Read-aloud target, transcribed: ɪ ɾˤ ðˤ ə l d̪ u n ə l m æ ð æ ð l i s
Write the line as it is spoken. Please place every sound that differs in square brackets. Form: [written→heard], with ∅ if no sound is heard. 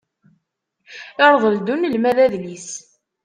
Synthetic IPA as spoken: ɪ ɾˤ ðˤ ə l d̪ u n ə l m æ ð æ ð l i s